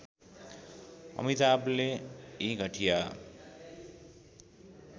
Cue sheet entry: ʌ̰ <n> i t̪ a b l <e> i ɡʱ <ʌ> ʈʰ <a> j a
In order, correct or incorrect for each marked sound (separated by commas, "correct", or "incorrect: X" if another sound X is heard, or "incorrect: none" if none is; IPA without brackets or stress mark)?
incorrect: m, correct, correct, incorrect: i